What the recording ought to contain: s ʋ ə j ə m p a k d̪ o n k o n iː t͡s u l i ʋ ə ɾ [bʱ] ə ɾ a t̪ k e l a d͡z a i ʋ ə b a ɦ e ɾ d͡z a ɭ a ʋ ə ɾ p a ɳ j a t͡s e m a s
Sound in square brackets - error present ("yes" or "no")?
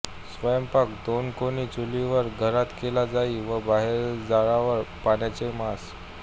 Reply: yes